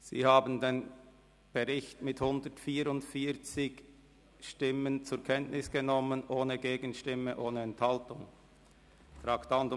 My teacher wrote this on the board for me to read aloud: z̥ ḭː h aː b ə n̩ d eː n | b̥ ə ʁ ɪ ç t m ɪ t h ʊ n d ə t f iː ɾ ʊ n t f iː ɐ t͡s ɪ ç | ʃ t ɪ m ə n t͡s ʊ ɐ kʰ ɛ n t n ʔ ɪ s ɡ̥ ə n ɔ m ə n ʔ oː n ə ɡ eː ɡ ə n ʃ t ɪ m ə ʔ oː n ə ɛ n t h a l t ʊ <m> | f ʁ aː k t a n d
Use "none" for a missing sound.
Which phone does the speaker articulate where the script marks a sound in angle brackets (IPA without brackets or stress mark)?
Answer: ŋ